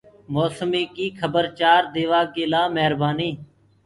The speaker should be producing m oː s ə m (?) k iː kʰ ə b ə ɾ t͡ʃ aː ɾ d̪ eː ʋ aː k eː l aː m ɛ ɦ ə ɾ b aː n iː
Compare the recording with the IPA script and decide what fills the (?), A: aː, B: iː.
B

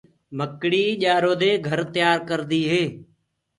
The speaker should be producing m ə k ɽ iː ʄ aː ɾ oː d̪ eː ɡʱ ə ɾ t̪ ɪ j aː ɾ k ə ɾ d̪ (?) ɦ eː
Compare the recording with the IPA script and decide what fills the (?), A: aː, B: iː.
B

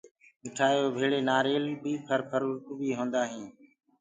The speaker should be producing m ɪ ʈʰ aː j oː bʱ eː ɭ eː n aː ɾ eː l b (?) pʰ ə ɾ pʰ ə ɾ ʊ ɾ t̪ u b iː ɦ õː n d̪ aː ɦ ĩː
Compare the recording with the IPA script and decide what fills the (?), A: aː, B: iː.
B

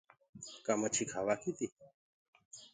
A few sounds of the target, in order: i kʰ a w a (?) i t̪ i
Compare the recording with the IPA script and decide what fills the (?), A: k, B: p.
A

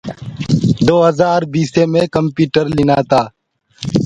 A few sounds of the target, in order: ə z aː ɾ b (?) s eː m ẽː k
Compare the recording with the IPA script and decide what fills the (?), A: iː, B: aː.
A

